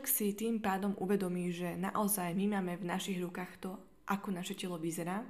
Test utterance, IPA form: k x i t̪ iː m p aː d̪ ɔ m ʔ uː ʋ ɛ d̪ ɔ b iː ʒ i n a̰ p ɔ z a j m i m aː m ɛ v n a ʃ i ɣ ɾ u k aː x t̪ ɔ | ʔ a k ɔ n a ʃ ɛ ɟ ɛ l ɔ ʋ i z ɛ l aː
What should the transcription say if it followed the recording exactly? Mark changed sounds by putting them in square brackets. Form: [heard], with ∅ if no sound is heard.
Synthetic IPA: k [s] i t̪ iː m p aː d̪ ɔ m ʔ [u] ʋ ɛ d̪ ɔ [m] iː ʒ [ɛ] n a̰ [ʔ] ɔ z a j m i m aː m ɛ v n a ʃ i ɣ ɾ u k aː x t̪ ɔ | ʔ a k ɔ n a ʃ ɛ [c] ɛ l ɔ ʋ i z ɛ [ɾ] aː